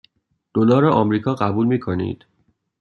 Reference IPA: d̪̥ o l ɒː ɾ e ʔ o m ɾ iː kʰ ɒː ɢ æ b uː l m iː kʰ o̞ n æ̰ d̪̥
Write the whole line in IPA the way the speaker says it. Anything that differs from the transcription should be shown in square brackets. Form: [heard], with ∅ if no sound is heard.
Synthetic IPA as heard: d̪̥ o l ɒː ɾ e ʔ [ɒ] m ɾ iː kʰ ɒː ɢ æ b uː l m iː kʰ o̞ n [ḭ] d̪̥